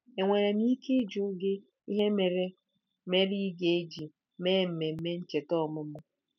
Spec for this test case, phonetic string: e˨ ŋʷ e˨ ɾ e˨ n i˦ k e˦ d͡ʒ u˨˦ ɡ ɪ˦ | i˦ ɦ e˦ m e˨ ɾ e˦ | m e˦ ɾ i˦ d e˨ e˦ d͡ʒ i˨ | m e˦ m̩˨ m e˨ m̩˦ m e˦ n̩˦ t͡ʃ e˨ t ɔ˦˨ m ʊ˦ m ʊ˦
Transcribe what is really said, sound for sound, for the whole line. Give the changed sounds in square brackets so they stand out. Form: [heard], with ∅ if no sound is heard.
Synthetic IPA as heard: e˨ ŋʷ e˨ ɾ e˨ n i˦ k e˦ d͡ʒ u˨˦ ɡ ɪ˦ | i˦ ɦ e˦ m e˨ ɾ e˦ | m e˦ ɾ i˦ [ɡ] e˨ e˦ d͡ʒ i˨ | m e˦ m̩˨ m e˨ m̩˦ m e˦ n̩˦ t͡ʃ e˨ t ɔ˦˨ m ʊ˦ m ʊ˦